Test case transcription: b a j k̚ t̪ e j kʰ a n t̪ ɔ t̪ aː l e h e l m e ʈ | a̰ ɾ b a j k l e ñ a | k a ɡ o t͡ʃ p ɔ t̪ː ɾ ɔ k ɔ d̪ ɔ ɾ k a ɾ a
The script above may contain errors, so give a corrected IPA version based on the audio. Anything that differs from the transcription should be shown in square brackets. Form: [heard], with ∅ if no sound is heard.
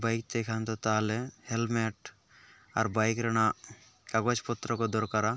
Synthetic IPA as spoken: b a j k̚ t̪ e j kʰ a n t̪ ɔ t̪ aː l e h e l m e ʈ | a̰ ɾ b a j k [ɾ] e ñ a | k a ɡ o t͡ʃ p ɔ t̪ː ɾ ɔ k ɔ d̪ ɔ ɾ k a ɾ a

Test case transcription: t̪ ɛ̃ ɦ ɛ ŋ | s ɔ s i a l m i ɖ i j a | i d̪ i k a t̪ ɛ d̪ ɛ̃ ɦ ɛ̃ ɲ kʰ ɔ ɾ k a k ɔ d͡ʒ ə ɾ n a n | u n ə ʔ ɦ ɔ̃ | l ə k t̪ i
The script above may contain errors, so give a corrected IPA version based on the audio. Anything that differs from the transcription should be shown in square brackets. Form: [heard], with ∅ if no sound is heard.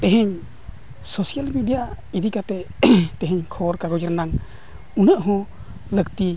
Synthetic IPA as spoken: t̪ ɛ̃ ɦ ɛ [ɲ] | s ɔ s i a l m i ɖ i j a | i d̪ i k a t̪ ɛ [t̪] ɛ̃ ɦ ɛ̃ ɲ kʰ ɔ ɾ k a [ɡ] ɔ d͡ʒ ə ɾ n a [ŋ] | u n ə ʔ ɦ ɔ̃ | l ə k t̪ i

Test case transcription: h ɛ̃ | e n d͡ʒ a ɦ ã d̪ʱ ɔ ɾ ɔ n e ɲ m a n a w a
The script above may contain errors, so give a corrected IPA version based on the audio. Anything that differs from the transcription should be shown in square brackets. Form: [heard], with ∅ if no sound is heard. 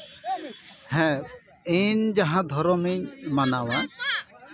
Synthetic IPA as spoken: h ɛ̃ | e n d͡ʒ a ɦ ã d̪ʱ ɔ ɾ ɔ [m] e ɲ m a n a w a

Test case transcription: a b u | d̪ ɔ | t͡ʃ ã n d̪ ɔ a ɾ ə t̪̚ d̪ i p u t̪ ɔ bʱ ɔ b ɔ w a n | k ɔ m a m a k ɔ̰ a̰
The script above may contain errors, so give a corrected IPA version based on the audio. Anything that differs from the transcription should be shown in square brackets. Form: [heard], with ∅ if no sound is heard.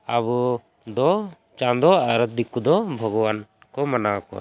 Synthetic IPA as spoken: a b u | d̪ ɔ | t͡ʃ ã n d̪ ɔ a ɾ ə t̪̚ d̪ i [k] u [d̪] ɔ bʱ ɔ [ɡ] ɔ w a n | k ɔ m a [n] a k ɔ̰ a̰

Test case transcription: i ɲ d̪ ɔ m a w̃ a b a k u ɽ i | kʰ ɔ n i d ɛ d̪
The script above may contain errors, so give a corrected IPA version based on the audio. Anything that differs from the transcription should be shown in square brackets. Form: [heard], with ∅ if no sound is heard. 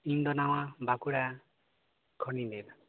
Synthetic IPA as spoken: i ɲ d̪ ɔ [n] a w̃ a b a k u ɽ [a] | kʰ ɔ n i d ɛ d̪

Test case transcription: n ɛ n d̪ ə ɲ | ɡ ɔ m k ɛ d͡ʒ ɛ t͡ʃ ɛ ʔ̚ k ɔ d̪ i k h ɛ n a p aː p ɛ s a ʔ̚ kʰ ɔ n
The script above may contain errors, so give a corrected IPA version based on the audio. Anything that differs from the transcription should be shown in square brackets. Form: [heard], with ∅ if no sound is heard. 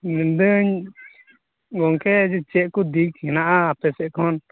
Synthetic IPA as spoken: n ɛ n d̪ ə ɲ | ɡ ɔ [ŋ] k ɛ d͡ʒ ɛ t͡ʃ ɛ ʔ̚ k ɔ d̪ i k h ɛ n a [ʔ] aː p ɛ s [ɛ] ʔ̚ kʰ ɔ n

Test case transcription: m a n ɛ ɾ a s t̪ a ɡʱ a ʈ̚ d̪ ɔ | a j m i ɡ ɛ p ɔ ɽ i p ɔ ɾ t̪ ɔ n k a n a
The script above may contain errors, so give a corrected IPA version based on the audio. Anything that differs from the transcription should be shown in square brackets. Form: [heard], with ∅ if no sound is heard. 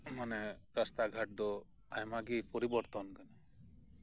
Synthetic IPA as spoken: m a n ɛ ɾ a s t̪ a ɡʱ a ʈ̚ d̪ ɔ | a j m [a] ɡ [i] p ɔ [ɾ] i [b] ɔ ɾ t̪ ɔ n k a n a

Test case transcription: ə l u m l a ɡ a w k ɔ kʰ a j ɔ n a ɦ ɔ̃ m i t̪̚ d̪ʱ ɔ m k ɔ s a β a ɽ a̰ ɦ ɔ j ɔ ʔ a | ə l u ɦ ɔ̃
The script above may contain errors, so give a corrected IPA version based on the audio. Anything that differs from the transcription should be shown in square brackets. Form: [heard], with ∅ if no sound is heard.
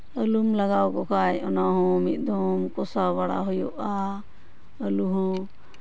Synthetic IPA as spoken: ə l u m l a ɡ a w k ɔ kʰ a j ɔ n a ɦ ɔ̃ m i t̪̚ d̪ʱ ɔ m k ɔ s a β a ɽ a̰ ɦ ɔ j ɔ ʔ a | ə l u ɦ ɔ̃

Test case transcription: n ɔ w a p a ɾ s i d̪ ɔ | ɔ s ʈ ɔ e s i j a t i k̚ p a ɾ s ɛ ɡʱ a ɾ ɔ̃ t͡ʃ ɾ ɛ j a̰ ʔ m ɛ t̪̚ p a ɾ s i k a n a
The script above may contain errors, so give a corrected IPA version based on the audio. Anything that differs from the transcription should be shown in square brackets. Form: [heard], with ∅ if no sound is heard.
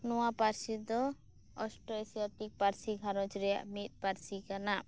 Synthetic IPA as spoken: n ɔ w a p a ɾ s i d̪ ɔ | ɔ s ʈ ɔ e s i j a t i k̚ p a ɾ s [i] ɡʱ a ɾ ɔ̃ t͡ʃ ɾ ɛ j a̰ ʔ m [i] t̪̚ p a ɾ s i k a n a

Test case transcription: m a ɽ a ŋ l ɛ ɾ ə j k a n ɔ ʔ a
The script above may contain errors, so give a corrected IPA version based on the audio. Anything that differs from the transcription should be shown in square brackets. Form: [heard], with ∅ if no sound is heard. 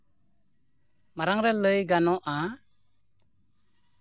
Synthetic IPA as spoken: m a [ɾ] a ŋ [ɾ] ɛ [l] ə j [ɡ] a n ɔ ʔ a

